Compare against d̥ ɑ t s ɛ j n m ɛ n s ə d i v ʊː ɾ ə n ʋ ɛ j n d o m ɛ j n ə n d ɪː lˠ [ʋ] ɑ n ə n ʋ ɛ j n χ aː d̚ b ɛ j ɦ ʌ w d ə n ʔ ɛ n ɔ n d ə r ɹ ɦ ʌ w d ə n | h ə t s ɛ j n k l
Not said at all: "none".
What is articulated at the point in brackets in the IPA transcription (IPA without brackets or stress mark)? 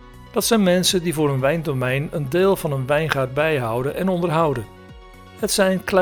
v